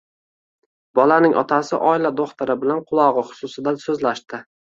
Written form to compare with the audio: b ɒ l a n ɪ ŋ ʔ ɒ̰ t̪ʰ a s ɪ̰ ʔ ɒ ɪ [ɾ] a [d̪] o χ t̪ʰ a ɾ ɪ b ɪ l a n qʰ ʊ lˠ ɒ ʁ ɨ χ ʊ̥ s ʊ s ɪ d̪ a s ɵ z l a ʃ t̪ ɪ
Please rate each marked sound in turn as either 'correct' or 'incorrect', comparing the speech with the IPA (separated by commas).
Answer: incorrect, correct